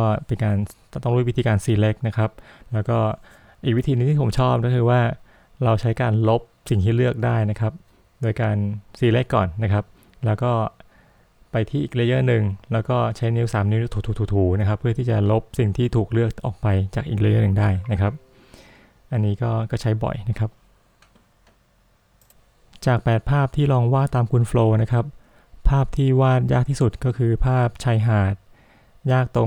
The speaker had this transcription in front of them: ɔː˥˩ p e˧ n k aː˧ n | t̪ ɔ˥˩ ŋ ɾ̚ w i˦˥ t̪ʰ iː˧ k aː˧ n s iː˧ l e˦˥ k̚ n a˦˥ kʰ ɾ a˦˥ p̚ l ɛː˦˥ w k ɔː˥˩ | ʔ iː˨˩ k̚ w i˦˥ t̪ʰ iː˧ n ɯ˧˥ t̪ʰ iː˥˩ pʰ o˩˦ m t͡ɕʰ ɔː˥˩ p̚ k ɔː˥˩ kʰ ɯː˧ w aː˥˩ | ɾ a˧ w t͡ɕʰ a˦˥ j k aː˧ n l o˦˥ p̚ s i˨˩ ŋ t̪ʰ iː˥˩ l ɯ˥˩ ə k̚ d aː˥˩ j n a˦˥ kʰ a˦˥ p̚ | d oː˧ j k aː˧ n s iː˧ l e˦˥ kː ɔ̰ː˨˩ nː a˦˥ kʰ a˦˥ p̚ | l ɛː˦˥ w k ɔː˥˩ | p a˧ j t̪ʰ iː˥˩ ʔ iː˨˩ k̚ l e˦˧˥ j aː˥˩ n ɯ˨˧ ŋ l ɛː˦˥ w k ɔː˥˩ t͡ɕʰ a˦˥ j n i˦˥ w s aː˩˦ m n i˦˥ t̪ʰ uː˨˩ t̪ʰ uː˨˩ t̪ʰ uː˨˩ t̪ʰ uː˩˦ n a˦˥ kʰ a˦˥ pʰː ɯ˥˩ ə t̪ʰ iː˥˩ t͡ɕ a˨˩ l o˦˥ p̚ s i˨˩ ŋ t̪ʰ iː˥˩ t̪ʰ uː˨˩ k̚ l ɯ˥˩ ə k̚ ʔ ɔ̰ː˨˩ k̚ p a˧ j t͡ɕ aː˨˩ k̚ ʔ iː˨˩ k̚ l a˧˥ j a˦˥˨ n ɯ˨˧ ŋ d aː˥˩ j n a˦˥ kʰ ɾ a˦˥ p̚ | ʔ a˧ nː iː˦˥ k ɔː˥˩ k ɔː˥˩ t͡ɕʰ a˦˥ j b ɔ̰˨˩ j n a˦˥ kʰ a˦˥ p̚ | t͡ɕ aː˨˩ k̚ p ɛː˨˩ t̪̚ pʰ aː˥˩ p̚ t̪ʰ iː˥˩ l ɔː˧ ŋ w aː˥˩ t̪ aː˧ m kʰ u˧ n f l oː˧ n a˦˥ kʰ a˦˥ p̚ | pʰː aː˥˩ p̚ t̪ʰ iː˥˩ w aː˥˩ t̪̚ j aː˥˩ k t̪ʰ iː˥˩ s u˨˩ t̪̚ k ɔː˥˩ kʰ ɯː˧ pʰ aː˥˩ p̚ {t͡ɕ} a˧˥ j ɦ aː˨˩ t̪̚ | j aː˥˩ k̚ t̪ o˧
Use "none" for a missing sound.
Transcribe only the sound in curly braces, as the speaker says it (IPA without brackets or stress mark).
t͡ɕʰ